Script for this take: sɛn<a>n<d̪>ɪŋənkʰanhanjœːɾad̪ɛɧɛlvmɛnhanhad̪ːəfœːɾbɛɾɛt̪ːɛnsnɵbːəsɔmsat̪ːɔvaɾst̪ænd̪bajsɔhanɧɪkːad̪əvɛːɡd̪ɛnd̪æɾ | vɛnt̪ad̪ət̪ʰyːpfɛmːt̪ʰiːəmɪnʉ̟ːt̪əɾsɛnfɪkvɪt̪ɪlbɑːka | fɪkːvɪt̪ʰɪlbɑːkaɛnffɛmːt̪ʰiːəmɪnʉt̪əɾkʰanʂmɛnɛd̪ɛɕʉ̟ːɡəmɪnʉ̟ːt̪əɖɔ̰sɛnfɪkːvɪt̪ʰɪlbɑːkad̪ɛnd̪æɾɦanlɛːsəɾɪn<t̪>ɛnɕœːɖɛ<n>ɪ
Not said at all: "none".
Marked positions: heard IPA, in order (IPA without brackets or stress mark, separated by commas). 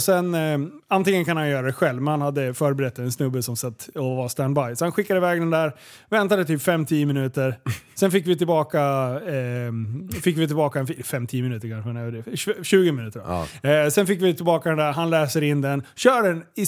a, t̪, d̪, n